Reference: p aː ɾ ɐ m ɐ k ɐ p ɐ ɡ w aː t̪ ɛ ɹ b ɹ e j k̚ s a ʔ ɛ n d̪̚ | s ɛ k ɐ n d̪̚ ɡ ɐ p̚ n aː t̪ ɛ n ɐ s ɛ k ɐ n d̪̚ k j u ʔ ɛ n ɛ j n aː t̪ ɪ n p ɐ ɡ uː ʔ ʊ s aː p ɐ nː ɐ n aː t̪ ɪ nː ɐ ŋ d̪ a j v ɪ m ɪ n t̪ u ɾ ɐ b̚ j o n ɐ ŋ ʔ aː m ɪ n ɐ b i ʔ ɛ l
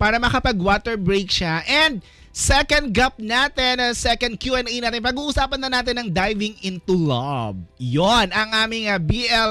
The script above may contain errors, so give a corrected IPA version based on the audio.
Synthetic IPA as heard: p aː ɾ ɐ m ɐ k ɐ p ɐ ɡ w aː t̪ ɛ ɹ b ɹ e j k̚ ʃ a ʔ ɛ n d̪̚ | s ɛ k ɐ n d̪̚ ɡ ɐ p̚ n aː t̪ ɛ n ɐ s ɛ k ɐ n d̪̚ k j u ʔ ɛ n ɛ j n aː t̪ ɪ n p ɐ ɡ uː ʔ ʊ s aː p ɐ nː ɐ n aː t̪ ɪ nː ɐ ŋ d̪ a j v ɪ ŋ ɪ n t̪ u l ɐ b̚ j o n ɐ ŋ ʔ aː m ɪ ŋ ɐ b i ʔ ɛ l